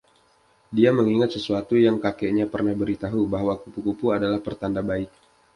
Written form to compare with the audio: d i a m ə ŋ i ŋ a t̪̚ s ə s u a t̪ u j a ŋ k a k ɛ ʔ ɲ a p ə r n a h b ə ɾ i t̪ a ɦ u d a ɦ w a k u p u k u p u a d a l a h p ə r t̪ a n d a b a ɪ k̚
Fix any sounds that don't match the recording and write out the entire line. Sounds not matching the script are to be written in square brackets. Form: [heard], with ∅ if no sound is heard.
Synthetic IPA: d i a m ə ŋ i ŋ a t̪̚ s ə s u a t̪ u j a ŋ k a k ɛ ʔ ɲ a p ə r n a h b ə ɾ i t̪ a ɦ u [b] a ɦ w a k u p u k u p u a d a l a h p ə r t̪ a n d a b a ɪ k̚